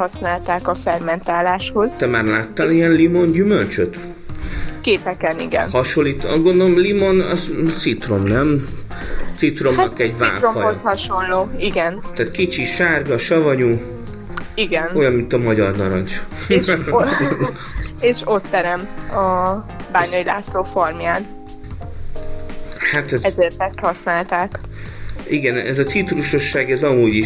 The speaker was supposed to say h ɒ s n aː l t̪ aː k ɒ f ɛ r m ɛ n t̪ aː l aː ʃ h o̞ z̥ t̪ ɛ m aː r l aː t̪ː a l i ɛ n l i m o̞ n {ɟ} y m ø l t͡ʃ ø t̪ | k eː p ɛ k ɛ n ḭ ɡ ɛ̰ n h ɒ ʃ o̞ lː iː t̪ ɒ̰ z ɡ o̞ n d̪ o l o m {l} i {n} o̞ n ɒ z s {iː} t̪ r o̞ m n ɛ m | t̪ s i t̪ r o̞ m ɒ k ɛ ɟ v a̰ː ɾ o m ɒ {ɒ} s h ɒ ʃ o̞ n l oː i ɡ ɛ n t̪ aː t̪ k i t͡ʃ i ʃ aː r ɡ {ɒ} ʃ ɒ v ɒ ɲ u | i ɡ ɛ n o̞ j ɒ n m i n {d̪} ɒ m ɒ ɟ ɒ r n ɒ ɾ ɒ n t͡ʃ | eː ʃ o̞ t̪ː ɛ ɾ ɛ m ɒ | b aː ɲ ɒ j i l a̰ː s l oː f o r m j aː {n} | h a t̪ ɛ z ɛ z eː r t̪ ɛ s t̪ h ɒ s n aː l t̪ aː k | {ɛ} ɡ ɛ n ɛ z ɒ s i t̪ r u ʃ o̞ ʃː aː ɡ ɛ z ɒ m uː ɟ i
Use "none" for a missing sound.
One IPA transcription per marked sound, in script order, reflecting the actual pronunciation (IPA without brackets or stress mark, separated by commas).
ɟ, l, m, i, o, ɒ, t̪, n, i